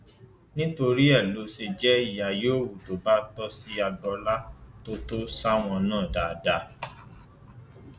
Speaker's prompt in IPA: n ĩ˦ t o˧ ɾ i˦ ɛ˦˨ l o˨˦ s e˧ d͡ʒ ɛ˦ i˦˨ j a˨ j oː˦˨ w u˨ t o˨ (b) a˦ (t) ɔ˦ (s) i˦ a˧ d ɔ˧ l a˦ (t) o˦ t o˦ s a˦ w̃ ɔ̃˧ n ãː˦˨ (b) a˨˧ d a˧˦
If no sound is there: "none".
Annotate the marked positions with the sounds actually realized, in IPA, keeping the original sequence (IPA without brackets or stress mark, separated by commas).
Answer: b, t, s, t, d